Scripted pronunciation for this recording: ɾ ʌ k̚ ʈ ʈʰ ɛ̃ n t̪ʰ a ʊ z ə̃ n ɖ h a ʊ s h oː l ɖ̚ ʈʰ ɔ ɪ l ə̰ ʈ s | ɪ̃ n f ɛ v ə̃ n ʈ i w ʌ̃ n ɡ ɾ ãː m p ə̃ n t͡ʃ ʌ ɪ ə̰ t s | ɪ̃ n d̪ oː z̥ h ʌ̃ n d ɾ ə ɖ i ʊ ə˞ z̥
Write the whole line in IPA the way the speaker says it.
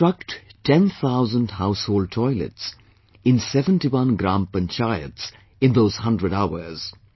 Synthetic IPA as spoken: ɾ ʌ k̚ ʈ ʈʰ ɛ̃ n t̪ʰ a ʊ z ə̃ n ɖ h a ʊ s h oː l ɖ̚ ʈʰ ɔ ɪ l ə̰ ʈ s | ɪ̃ n s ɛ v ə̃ n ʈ i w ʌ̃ n ɡ ɾ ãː m p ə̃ n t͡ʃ a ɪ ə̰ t s | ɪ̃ n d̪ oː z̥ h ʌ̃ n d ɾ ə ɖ a ʊ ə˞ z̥